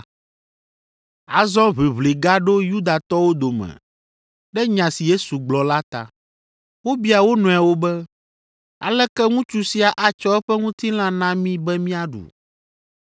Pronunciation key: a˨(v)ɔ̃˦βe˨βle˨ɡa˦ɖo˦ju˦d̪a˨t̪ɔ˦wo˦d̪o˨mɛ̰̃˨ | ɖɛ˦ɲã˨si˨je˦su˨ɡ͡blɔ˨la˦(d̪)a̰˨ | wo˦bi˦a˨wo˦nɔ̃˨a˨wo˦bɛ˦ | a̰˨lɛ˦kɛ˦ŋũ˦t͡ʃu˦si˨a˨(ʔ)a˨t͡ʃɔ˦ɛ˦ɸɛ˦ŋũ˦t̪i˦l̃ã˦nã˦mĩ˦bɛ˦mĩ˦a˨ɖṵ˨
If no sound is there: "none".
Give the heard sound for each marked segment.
z, t̪, ʔ

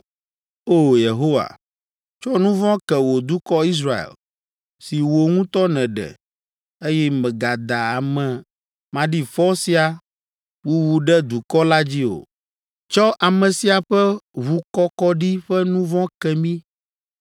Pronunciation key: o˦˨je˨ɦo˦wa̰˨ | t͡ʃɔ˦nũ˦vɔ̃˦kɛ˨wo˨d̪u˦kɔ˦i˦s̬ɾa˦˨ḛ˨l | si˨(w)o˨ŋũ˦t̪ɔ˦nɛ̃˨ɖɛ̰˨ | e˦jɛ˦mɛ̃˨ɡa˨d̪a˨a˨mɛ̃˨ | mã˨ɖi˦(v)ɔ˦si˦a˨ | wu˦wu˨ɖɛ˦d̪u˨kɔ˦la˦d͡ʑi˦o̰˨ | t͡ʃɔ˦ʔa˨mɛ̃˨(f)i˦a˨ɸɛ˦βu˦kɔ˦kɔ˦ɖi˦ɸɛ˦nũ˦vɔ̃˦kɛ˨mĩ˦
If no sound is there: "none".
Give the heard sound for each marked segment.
w, f, s

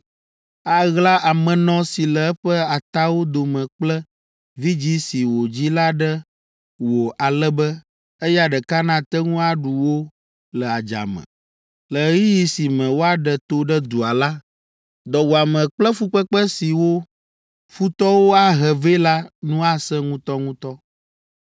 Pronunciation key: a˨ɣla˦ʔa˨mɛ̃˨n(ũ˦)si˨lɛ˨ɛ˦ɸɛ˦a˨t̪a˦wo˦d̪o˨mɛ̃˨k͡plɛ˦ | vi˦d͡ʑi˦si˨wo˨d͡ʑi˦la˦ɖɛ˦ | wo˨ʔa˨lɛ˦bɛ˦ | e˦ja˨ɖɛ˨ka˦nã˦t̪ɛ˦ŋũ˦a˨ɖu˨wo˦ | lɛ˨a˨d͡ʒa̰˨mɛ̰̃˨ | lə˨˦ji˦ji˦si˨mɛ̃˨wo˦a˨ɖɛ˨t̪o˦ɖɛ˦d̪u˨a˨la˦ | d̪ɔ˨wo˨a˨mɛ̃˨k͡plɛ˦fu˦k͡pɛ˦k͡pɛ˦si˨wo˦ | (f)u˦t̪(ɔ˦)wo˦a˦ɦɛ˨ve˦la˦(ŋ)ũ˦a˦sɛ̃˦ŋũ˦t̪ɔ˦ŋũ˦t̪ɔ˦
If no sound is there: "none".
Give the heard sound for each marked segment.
ɔ̃˦, f, ɔ˦, n

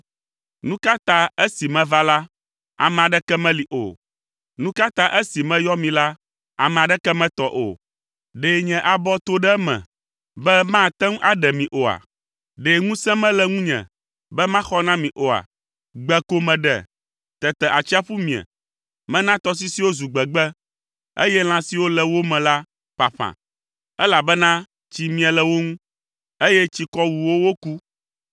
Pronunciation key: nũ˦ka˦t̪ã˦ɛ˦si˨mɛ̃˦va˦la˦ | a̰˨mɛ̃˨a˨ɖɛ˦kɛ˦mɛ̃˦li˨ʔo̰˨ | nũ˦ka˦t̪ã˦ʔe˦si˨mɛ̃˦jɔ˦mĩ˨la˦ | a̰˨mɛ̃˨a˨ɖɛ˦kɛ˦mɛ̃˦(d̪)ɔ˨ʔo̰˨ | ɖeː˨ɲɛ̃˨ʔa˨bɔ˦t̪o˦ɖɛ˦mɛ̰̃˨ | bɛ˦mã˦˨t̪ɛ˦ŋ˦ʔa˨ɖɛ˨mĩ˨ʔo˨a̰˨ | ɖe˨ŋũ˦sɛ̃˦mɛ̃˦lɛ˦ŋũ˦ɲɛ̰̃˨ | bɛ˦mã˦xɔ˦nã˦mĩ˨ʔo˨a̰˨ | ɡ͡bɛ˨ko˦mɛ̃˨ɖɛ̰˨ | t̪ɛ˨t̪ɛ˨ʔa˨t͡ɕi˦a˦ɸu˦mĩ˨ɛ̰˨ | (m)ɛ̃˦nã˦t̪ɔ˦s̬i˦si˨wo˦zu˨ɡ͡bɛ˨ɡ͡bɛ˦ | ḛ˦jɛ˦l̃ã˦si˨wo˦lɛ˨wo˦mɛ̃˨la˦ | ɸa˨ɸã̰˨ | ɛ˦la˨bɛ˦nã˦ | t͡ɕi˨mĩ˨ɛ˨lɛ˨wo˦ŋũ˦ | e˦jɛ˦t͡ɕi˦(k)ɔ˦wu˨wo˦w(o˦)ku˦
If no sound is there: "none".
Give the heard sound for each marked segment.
t̪, m, k, o˦

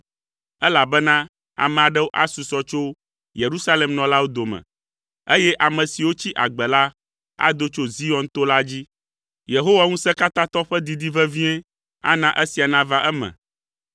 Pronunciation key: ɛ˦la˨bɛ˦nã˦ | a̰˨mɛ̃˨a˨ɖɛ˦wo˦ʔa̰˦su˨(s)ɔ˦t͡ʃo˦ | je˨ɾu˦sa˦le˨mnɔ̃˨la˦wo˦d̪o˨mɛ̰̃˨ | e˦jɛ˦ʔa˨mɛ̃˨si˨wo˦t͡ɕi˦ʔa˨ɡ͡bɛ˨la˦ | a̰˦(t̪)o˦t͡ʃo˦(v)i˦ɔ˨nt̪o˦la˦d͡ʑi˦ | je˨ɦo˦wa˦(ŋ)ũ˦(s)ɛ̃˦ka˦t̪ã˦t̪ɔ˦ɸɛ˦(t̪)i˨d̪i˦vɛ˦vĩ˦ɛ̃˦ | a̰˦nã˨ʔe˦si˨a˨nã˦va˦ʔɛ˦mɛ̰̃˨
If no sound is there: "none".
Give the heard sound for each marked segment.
s, d̪, z, ŋ, s, d̪

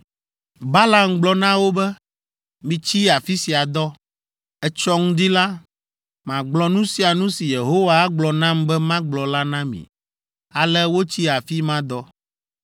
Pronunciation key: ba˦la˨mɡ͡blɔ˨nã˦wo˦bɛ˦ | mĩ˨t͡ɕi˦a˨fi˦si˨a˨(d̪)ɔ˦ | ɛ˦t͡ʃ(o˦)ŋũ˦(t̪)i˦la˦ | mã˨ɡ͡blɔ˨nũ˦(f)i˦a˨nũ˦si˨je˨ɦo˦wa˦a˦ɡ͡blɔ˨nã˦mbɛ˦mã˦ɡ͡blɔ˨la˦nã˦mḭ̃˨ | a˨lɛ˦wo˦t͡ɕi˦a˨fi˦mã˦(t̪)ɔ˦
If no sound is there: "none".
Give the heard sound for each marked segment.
d̪, ɔ˦, d̪, s, d̪

